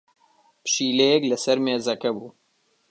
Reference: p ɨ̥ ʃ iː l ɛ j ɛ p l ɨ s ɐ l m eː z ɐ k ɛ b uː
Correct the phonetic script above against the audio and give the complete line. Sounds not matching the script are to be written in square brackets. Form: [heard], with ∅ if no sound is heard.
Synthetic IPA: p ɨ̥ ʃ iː l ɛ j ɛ [k] l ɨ s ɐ [ɾ] m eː z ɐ k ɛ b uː